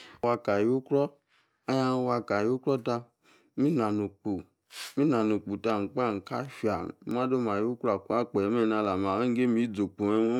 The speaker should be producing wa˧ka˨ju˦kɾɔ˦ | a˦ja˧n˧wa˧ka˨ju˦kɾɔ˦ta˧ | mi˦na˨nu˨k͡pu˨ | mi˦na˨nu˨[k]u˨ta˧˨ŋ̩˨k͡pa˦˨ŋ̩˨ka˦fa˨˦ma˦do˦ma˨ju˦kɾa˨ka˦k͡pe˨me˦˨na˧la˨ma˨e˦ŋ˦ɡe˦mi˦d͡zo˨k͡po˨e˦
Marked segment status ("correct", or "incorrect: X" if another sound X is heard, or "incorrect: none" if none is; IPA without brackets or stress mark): incorrect: k͡p